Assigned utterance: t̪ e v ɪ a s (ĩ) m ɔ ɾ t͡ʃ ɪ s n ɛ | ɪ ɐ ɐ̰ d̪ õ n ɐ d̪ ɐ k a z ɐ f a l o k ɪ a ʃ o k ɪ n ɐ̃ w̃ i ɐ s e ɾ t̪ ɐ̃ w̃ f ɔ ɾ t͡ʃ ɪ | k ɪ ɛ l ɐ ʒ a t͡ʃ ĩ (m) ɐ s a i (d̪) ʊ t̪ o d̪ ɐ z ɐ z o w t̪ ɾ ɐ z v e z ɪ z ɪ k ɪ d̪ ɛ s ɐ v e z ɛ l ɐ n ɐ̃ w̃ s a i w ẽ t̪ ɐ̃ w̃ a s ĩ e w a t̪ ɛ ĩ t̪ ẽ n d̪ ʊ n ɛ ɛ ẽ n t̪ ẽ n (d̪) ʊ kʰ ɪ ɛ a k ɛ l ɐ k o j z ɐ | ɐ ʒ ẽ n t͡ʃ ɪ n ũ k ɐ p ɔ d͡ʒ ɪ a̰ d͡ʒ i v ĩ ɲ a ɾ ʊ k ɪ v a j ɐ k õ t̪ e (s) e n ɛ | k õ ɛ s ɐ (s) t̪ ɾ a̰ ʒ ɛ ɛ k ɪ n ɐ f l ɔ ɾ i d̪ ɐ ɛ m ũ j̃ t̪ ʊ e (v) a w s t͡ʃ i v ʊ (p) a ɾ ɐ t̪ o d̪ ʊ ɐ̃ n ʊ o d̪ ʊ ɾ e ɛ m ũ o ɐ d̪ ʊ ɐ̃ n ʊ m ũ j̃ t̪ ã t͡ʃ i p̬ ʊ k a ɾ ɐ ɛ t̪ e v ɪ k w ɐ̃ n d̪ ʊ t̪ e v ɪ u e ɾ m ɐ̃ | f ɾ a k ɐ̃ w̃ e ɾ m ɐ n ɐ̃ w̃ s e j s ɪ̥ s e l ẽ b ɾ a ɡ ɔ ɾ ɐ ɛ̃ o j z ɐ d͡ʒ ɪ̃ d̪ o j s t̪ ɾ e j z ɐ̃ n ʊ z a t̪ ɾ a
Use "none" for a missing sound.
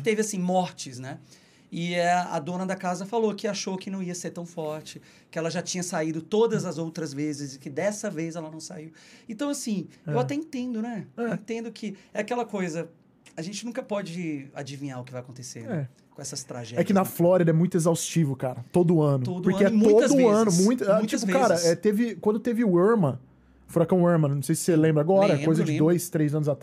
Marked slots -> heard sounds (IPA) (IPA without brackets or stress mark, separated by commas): ĩ, ɲ, d̪, d̪, s, s, z, k